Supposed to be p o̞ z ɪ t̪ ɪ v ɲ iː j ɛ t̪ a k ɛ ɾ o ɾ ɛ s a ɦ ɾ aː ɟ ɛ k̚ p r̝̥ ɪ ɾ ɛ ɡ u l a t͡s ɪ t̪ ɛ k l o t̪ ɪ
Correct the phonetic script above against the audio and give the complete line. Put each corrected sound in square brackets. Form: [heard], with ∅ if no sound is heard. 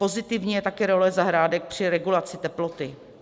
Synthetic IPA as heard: p o̞ z ɪ t̪ ɪ v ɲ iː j ɛ t̪ a k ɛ ɾ o [l] ɛ [z] a ɦ ɾ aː [d] ɛ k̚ p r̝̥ ɪ ɾ ɛ ɡ u l a t͡s ɪ t̪ ɛ [p] l o t̪ ɪ